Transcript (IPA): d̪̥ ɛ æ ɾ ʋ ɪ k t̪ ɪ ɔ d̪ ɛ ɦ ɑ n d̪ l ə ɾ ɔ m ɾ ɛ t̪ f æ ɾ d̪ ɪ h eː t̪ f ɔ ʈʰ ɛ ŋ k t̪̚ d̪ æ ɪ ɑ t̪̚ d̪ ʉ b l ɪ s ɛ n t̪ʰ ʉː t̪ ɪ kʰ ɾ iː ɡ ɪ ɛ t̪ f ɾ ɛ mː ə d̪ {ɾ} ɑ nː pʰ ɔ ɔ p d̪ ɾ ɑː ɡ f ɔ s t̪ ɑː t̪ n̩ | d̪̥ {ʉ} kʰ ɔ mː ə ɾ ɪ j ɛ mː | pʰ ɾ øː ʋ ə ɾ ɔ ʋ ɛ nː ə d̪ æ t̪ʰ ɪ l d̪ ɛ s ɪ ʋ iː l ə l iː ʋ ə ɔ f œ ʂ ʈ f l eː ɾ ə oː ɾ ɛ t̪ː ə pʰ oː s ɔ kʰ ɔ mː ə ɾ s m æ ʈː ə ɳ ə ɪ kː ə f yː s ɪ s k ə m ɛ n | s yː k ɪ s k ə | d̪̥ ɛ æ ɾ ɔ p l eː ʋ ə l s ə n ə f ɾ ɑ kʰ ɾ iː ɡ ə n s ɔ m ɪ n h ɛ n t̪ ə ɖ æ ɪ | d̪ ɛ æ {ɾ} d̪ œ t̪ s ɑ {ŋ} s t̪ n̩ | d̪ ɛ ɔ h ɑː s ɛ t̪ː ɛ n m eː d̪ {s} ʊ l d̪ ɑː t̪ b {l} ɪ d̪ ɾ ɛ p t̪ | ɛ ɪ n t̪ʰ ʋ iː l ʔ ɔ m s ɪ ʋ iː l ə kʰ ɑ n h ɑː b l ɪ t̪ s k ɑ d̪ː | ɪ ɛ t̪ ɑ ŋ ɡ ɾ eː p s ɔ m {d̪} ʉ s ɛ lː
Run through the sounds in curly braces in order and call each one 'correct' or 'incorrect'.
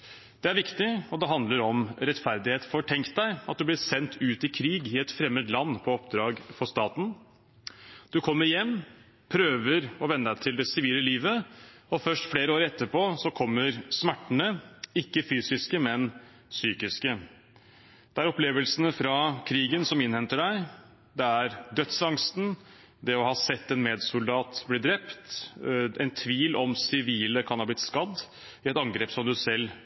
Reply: incorrect: l, correct, correct, correct, correct, correct, correct

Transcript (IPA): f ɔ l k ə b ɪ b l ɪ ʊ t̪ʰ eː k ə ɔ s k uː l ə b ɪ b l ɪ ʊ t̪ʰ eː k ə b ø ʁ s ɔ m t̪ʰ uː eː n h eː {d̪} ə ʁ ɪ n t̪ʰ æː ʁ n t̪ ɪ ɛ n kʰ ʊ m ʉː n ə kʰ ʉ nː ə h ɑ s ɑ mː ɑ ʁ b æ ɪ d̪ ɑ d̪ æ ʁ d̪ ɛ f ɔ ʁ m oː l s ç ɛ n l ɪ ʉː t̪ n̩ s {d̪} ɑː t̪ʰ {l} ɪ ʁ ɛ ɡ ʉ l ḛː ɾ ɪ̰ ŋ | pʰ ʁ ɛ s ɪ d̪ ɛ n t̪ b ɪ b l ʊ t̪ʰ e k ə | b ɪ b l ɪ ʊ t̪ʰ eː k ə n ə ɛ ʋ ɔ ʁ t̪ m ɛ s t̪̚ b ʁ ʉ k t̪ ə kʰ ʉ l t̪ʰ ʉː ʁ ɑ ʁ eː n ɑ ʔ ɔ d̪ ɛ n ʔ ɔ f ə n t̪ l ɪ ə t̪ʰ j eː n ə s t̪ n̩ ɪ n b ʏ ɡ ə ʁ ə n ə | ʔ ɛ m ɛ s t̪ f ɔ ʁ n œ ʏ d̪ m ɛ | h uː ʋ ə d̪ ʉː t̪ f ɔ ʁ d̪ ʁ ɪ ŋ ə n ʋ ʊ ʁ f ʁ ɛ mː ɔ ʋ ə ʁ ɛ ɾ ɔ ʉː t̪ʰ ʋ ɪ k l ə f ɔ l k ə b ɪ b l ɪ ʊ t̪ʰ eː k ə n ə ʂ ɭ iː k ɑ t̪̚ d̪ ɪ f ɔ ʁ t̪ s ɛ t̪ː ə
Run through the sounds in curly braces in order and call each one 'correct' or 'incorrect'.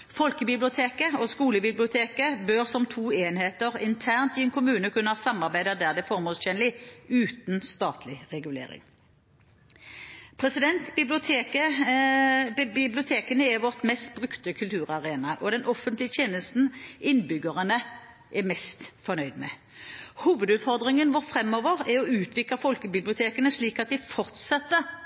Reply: incorrect: t̪, incorrect: t̪, correct

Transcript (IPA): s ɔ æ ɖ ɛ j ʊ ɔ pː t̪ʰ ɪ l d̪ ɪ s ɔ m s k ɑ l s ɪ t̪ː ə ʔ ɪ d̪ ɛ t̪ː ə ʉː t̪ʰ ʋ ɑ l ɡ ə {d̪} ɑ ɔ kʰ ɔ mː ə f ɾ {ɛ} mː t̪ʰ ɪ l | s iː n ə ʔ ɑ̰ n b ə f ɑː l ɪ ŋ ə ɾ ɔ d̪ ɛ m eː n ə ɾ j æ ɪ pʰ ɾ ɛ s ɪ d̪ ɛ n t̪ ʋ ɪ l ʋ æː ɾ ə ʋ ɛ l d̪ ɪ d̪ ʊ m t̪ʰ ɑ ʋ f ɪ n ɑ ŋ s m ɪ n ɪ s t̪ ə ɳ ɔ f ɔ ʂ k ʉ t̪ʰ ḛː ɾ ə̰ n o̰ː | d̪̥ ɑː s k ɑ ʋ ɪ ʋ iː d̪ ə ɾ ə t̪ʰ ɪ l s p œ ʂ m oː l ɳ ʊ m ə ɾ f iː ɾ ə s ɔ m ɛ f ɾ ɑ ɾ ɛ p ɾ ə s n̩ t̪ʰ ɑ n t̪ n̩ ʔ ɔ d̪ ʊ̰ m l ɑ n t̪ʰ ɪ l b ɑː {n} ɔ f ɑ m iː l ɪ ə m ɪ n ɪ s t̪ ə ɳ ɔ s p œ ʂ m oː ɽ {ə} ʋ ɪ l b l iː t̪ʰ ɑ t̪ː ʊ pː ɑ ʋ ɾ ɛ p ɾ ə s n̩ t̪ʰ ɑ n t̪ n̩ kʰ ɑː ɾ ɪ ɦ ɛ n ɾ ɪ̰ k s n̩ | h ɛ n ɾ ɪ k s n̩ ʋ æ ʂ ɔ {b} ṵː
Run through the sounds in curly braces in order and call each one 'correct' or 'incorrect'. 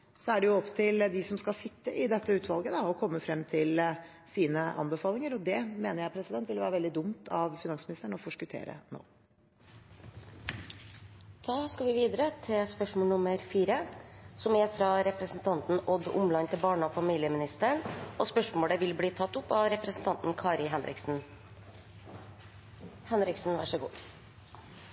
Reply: correct, correct, incorrect: ɳ, correct, incorrect: ɡ

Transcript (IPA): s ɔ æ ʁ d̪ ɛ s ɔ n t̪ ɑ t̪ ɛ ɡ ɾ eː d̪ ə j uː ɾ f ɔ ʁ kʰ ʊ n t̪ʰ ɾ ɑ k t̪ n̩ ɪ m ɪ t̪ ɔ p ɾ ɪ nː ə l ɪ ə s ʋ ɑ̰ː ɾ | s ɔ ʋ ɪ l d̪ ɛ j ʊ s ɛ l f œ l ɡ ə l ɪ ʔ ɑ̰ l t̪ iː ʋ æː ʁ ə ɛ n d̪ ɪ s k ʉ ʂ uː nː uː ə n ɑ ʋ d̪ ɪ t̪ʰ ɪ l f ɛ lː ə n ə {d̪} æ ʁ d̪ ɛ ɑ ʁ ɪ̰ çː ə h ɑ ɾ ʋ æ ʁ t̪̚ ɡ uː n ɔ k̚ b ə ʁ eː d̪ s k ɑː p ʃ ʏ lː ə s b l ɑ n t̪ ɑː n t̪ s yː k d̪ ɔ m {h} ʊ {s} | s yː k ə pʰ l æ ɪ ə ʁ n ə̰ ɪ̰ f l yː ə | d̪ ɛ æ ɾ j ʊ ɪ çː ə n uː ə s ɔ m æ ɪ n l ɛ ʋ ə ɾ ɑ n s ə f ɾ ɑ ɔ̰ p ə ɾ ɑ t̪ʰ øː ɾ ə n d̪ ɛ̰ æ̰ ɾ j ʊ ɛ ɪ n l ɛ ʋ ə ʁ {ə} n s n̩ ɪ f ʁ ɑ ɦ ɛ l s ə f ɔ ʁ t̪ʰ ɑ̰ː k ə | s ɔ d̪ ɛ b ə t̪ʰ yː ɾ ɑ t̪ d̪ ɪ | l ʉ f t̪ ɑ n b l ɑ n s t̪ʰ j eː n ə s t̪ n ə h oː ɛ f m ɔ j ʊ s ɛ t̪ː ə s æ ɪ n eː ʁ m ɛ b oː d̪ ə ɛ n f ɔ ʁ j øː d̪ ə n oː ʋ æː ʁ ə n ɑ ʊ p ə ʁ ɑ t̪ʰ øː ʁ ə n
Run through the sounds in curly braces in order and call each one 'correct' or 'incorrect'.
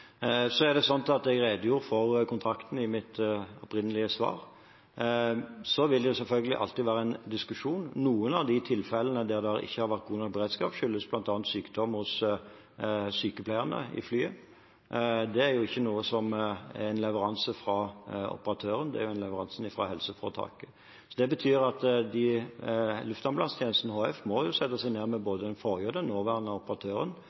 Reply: correct, correct, correct, incorrect: ɑ

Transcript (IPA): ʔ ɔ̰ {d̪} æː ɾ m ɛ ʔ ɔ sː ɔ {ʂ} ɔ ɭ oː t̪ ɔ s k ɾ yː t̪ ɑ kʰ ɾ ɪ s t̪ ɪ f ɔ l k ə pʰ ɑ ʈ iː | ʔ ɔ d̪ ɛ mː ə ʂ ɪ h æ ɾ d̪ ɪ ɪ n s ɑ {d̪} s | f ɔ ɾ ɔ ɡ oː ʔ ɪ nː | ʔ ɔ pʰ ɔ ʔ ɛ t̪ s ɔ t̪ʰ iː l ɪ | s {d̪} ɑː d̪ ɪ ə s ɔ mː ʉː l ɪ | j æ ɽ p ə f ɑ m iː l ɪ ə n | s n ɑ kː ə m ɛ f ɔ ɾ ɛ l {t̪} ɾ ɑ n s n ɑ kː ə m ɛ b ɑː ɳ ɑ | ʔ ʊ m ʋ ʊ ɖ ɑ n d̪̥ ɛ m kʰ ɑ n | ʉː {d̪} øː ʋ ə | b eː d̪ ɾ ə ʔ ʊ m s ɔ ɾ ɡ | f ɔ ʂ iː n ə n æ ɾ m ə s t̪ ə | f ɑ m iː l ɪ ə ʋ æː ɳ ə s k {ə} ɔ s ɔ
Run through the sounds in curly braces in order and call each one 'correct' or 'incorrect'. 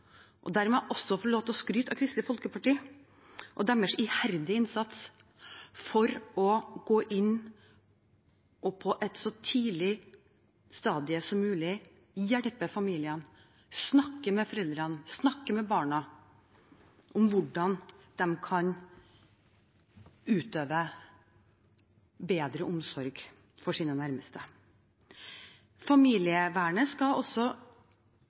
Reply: correct, incorrect: f, incorrect: t̪, incorrect: t̪, incorrect: d̪, incorrect: t̪, incorrect: ɑ

